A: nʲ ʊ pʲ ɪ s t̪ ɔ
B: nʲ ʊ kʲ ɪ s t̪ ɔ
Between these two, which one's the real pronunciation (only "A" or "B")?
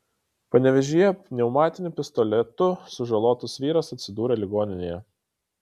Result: A